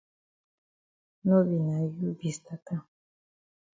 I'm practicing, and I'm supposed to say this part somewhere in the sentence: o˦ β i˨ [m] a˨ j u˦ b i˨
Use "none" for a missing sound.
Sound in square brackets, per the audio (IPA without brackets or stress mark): n